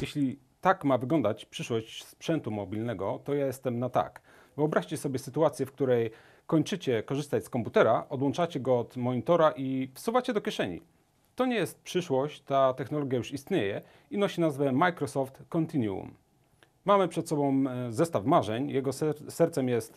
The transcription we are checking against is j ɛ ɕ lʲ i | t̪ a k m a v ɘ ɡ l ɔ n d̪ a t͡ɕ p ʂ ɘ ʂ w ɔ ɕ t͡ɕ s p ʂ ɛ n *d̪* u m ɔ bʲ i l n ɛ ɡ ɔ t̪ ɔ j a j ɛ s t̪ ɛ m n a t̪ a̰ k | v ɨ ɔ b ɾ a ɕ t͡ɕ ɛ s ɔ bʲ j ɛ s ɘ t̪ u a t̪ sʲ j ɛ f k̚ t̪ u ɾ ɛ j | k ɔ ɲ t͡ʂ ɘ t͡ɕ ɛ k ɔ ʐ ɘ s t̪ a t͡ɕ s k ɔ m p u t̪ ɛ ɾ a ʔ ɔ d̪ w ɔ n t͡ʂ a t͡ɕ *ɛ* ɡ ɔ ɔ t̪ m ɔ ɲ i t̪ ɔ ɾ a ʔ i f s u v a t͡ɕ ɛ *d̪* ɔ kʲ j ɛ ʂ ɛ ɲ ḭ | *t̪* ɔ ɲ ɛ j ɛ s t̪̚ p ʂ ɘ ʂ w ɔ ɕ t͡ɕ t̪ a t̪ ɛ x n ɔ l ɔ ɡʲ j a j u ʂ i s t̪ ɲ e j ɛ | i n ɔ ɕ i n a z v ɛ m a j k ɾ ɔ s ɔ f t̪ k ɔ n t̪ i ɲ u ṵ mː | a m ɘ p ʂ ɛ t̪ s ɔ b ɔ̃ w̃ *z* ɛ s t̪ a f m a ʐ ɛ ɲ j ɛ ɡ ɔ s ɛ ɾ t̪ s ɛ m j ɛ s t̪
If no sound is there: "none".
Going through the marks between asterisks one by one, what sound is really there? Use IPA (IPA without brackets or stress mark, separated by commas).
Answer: t̪, ɛ, d̪, t̪, z